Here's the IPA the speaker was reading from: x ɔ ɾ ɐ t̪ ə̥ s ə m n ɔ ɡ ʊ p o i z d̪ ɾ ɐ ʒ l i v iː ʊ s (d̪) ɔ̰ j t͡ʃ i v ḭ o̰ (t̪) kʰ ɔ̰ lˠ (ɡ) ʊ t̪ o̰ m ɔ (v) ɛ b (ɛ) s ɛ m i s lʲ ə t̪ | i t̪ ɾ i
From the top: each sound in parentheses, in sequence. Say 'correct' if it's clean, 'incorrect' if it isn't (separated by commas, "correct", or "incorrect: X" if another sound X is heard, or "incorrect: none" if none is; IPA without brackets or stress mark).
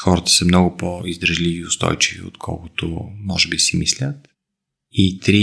incorrect: t̪, correct, incorrect: k, incorrect: ʒ, incorrect: i